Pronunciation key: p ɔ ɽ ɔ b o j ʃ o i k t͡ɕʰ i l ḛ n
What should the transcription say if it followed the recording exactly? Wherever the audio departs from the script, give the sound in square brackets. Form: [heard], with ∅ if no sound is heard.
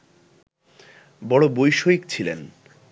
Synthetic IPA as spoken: [b] ɔ ɽ [o] b o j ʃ o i k t͡ɕʰ i l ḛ n